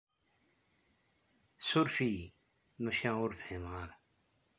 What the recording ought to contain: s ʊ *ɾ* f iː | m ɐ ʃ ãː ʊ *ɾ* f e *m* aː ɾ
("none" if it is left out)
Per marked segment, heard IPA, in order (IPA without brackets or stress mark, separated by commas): ɾ, ɾ, m